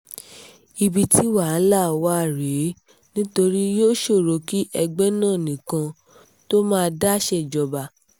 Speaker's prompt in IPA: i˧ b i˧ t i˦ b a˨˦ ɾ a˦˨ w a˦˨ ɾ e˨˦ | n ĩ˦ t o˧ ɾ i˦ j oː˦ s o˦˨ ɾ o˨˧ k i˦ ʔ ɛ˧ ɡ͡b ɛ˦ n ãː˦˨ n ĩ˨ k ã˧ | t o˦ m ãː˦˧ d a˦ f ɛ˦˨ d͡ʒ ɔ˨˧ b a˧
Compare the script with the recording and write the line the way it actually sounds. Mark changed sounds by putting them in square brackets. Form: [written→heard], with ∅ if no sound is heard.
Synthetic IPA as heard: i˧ b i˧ t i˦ [b→w] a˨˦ [ɾ→l] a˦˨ w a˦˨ ɾ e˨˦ | n ĩ˦ t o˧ ɾ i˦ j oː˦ [s→ʃ] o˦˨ ɾ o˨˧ k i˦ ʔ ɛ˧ ɡ͡b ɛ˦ n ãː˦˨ n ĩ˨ k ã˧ | t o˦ m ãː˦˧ d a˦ [f→ʃ] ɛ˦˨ d͡ʒ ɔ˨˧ b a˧